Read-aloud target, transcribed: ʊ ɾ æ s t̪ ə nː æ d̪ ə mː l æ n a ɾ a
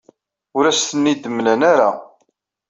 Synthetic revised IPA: ʊ ɾ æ s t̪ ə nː i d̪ ə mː l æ n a ɾ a